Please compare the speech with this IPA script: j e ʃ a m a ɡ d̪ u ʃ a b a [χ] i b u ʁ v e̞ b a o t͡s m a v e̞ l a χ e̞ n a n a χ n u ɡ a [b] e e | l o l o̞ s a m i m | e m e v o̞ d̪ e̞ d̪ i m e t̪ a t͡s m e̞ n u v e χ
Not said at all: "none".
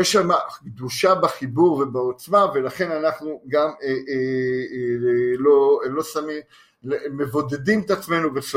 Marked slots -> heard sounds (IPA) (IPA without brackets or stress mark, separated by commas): χ, m